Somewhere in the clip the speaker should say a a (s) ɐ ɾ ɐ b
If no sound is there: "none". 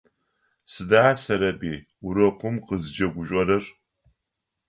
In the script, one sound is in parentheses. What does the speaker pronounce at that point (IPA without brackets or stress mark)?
s